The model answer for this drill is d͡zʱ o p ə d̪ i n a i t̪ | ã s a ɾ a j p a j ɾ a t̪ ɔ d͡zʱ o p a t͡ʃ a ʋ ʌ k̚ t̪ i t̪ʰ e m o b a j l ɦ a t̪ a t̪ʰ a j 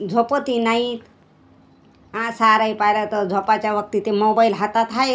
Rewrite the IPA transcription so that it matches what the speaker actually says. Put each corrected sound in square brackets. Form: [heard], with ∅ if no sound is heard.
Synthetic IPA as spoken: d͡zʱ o p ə [t̪] i n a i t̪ | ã s a ɾ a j p a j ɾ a t̪ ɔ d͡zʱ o p a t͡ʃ a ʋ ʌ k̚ t̪ i [t̪] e m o b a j l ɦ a t̪ a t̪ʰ a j